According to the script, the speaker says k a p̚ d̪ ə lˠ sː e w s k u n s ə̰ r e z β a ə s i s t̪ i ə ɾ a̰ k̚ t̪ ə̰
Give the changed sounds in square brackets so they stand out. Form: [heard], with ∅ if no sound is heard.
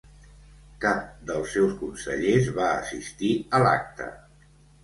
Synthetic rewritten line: k a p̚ d̪ ə lˠ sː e w s k u n s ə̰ [ʎ] e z β a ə s i s t̪ i ə [l] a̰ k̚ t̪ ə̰